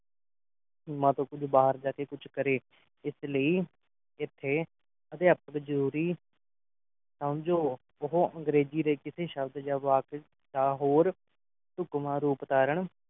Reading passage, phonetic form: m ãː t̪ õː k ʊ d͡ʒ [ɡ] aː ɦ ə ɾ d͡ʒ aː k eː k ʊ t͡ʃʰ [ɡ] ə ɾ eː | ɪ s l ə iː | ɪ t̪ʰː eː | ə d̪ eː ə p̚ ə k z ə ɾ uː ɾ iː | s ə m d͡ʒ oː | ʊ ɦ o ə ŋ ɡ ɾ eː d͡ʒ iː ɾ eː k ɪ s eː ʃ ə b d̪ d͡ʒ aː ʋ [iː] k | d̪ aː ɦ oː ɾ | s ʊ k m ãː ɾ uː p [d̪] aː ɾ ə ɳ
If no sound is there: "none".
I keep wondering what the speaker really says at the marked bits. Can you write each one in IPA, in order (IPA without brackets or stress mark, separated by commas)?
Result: b, k, aː, t̪